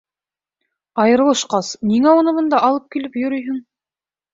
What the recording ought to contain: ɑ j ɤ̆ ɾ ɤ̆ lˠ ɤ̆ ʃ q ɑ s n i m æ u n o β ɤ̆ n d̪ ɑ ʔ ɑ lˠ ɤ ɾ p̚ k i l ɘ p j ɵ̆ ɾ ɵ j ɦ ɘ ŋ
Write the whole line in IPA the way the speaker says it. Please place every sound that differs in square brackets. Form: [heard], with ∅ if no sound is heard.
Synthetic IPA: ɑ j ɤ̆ ɾ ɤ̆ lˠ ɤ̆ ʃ q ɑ s n i [ŋ] æ u n [ɤ] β ɤ̆ n d̪ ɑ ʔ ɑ lˠ ɤ [∅] p̚ k i l ɘ p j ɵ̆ ɾ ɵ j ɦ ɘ ŋ